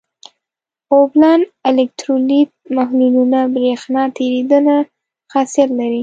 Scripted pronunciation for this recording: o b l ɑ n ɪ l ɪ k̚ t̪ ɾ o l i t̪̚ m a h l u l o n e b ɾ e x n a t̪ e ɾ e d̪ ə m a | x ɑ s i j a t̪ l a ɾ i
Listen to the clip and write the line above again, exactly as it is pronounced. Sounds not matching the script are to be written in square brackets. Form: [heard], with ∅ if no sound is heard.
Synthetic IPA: o b l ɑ n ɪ l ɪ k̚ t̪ ɾ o l i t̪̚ m a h l u l [u] n [a] b ɾ e x n [ɑ] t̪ e ɾ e d̪ ə [n] a | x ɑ s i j a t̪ l a ɾ i